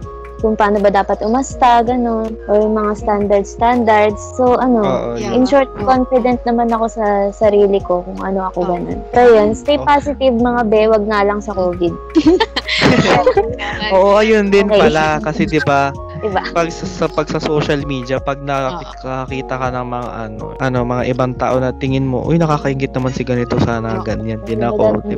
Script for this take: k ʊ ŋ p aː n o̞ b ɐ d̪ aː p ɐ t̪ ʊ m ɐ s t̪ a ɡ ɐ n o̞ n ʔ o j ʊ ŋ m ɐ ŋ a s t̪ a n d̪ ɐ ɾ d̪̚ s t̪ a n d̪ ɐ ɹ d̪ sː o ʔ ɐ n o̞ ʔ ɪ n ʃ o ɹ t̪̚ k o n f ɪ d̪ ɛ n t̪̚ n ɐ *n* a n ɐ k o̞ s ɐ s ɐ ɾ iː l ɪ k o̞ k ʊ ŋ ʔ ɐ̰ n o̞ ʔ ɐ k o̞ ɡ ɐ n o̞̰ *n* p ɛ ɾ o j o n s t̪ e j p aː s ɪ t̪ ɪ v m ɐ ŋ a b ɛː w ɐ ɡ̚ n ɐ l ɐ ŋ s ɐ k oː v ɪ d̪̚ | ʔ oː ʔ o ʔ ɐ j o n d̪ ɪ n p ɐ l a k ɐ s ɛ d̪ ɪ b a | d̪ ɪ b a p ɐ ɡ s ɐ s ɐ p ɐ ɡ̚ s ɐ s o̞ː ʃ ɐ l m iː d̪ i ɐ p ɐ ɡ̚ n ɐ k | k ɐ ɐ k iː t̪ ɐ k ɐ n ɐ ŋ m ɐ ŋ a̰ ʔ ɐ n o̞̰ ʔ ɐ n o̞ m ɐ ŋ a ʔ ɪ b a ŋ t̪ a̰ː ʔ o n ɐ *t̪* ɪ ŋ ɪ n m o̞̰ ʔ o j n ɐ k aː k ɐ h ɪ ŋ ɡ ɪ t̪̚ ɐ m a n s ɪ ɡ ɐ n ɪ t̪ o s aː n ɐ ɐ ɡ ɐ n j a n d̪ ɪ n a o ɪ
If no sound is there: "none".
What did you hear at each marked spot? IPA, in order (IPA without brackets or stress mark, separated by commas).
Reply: m, n, t̪